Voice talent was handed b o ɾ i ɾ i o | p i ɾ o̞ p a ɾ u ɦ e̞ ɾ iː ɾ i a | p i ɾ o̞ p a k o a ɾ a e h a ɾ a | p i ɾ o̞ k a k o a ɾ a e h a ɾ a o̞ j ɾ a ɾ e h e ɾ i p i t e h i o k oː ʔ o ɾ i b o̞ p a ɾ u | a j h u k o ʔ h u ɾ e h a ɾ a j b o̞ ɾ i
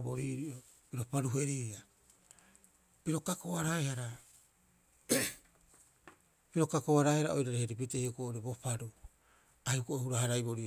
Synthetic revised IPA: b o ɾ i ɾ i o | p i ɾ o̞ p a ɾ u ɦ e̞ ɾ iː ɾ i a | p i ɾ o̞ k a k o a ɾ a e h a ɾ a | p i ɾ o̞ k a k o a ɾ a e h a ɾ a o̞ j ɾ a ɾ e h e ɾ i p i t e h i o k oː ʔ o ɾ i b o̞ p a ɾ u | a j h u k o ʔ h u ɾ a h a ɾ a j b o̞ ɾ i